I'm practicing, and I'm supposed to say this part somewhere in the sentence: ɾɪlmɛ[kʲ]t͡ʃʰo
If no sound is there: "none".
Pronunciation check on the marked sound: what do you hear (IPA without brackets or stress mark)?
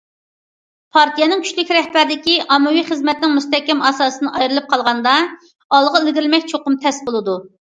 kʲ